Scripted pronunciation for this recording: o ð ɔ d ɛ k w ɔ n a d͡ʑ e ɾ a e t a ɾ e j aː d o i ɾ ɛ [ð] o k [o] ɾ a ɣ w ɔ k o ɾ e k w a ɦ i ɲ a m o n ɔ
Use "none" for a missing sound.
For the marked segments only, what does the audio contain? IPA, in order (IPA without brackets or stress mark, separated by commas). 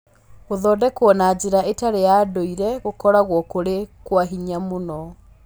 ɣ, ɔ